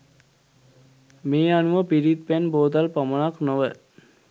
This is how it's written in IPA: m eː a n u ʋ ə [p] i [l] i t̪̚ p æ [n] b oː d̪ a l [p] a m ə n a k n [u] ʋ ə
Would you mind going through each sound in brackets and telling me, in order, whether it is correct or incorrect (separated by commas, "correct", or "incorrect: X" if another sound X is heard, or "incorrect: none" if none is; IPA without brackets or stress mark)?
correct, incorrect: ɾ, correct, correct, incorrect: o